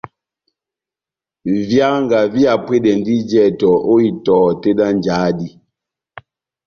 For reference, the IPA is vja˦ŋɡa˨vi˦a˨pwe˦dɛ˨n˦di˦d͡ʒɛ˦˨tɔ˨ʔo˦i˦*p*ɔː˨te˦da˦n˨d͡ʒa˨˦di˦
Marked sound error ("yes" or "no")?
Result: yes